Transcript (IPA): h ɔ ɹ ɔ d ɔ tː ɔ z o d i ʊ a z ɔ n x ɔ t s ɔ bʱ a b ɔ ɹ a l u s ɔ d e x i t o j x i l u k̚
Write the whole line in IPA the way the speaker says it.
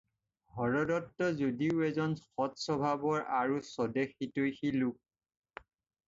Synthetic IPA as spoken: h ɔ ɹ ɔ d ɔ tː ɔ z o d i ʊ ɛ z ɔ n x ɔ t s ɔ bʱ a b ɔ ɹ a ɹ u s ɔ d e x i t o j x i l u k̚